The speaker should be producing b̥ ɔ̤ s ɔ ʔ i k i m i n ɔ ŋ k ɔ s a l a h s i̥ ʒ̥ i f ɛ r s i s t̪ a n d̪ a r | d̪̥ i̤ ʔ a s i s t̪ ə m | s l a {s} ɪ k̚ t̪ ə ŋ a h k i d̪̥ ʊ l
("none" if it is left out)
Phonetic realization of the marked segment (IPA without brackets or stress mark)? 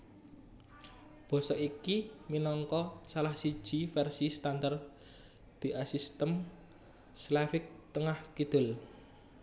f